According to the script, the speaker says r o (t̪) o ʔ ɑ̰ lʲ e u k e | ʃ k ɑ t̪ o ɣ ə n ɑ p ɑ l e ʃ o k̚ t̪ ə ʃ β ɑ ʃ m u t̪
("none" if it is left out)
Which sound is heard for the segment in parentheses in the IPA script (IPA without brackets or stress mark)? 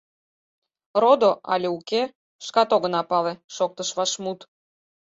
d̪